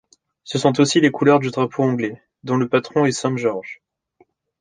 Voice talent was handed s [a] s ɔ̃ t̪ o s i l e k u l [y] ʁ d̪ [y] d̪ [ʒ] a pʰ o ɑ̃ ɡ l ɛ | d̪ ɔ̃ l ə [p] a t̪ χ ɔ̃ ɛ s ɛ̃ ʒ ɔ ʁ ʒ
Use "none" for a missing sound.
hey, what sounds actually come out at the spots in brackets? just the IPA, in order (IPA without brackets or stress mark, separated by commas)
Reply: ə, œ, y, ʁ, p